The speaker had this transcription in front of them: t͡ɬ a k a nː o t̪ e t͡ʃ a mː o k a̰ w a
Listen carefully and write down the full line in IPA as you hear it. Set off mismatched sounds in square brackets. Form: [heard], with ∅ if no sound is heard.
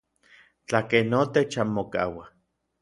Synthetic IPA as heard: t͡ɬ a k [e] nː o t̪ e t͡ʃ a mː o k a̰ w a